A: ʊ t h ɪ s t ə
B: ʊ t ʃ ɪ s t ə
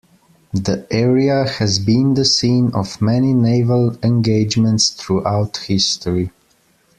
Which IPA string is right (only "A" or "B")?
A